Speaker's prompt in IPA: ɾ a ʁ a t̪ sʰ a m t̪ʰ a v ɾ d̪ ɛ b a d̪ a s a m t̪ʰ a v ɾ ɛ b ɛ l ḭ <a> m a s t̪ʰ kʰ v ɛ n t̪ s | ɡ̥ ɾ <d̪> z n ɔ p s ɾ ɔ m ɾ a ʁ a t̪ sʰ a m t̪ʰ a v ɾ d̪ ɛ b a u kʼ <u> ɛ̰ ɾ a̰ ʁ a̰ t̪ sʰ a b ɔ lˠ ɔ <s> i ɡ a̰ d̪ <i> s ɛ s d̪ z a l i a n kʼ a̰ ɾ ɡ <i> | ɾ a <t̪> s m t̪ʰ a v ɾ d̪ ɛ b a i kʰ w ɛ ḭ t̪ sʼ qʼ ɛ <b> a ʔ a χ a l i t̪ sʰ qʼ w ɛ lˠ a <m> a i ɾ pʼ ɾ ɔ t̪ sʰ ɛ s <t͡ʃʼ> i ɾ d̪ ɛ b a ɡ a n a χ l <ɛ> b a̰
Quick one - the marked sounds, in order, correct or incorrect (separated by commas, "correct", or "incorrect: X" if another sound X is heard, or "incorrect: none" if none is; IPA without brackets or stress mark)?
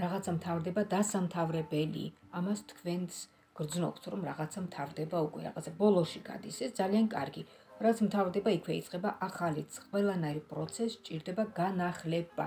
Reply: correct, correct, incorrect: w, incorrect: ʃ, correct, correct, correct, correct, incorrect: n, correct, correct